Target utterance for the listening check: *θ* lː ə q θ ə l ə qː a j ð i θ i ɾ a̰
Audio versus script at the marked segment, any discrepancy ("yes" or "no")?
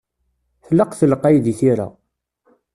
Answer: no